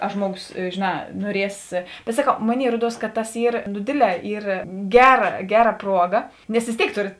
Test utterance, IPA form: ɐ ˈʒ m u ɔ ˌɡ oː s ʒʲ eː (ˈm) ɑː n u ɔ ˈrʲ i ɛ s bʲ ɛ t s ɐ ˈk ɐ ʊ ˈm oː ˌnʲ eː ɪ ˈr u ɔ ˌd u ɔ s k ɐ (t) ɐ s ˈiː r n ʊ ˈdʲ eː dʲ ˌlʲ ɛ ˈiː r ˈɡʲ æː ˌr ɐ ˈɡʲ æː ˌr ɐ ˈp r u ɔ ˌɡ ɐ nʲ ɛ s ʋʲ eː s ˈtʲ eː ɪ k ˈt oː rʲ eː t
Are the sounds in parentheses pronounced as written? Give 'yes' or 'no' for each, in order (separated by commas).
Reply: no, yes